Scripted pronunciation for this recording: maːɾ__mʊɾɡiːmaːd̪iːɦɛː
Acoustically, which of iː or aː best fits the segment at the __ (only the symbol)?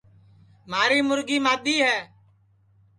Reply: iː